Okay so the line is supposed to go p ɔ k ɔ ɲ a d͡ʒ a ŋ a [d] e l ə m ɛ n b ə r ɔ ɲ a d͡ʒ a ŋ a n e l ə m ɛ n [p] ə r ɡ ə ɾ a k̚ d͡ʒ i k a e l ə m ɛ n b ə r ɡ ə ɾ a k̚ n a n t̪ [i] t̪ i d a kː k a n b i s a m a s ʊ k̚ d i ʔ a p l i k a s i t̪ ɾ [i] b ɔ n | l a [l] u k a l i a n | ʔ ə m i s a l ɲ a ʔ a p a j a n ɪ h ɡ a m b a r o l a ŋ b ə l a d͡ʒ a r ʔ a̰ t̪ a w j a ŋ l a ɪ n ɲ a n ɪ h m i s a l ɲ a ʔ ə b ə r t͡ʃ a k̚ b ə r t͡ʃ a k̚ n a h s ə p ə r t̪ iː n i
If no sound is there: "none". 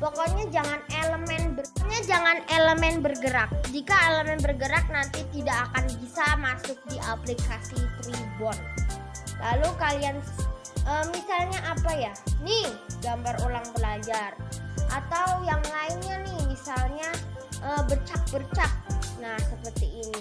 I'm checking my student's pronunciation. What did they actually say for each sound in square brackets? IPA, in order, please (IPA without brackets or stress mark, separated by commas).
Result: n, b, i, i, l